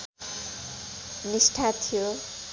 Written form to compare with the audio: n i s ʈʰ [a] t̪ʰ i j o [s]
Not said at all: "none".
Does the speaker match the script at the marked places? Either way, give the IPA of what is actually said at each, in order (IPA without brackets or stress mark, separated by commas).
a, none